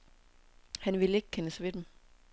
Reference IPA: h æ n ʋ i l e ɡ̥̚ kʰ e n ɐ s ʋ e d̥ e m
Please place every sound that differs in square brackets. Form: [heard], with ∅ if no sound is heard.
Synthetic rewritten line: h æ n ʋ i l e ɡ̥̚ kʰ e n [ə] s ʋ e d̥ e m